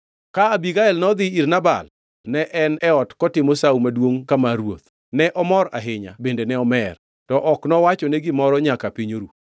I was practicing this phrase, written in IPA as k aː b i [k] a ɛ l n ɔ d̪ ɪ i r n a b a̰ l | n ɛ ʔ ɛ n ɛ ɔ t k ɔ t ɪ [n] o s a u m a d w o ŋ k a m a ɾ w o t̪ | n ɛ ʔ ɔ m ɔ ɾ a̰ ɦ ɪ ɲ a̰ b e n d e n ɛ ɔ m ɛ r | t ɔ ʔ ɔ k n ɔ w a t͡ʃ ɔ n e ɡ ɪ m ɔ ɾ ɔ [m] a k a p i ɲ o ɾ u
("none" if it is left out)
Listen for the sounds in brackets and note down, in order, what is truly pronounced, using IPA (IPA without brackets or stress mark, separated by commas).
ɡ, m, ɲ